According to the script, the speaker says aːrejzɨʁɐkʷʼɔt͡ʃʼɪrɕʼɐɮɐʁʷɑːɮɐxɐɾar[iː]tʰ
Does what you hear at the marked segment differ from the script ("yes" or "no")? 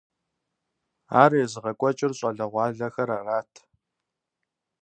yes